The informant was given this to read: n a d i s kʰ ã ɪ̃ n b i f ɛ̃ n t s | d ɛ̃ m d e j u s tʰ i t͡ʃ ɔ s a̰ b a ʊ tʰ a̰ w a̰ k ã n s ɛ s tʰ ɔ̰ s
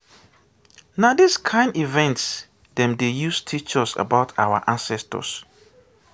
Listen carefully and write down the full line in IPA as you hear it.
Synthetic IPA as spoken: n a d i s kʰ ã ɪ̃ n d i v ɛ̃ n t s | d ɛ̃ m d e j u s tʰ i t͡ʃ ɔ s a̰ b a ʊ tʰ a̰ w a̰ ʔ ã n s ɛ s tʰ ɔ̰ s

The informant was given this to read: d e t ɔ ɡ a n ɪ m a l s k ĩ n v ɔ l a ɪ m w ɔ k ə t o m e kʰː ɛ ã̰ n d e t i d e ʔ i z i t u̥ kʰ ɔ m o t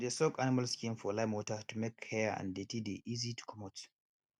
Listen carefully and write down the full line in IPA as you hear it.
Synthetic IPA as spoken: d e s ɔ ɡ a n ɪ m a l s k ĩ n f ɔ l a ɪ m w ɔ t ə t u m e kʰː ɛ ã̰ n d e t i d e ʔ i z i t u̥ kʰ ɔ m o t

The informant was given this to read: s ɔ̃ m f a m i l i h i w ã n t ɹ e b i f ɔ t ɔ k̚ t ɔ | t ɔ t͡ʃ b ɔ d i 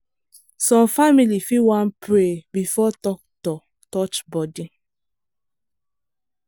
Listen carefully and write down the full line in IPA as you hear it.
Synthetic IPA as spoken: s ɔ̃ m f a m i l i f i w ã n p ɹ e b i f ɔ t ɔ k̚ t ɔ | t ɔ t͡ʃ b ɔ d i

